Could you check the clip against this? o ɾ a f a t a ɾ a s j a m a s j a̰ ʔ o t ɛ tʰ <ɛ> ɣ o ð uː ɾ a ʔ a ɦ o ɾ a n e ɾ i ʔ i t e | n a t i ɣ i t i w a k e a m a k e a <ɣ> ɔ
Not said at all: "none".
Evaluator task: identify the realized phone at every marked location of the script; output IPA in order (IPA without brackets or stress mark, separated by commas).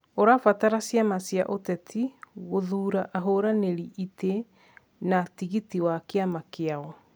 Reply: i, ɣ